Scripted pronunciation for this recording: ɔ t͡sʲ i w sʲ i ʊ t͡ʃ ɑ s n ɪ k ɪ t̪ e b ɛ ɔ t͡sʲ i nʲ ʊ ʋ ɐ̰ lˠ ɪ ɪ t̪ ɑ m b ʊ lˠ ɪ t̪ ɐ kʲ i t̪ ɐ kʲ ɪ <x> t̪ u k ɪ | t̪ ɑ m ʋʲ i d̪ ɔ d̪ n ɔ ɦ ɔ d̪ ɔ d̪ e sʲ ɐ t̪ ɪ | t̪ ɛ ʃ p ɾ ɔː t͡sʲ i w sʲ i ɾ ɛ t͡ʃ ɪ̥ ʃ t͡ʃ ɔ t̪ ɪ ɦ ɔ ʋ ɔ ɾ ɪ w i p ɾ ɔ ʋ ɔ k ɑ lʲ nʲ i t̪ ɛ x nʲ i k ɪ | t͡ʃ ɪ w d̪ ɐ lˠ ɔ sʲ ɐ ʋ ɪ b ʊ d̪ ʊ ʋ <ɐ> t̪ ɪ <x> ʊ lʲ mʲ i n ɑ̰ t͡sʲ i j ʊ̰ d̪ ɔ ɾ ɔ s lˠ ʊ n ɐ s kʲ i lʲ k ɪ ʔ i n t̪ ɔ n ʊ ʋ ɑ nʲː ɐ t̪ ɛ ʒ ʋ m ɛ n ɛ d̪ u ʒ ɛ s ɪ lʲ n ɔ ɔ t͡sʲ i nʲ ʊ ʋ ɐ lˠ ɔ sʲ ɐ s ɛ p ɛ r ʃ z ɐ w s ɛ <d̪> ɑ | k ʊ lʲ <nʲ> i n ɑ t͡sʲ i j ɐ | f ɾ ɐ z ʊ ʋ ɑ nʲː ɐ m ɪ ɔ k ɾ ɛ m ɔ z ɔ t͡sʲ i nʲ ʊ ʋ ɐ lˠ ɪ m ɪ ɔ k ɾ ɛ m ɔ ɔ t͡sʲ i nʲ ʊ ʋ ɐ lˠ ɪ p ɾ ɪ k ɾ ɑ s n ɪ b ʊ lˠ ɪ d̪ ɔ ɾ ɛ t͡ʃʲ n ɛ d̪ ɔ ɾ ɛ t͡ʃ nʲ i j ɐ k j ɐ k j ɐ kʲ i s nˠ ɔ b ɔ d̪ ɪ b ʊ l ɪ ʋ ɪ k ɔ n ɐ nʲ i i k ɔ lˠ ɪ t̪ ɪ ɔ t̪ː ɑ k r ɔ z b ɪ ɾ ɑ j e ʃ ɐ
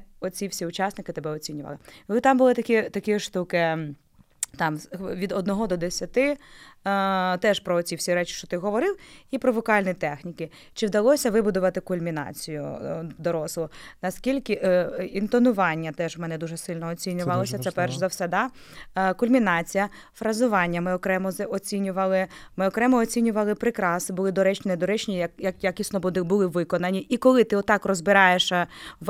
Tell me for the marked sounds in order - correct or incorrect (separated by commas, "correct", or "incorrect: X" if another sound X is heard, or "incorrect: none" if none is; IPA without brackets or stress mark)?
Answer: incorrect: ʃ, correct, incorrect: k, correct, incorrect: mʲ